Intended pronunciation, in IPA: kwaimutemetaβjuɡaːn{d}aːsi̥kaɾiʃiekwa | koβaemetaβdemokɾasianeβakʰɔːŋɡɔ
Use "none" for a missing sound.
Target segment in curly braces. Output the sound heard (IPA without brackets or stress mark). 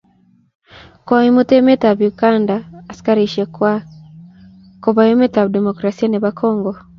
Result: d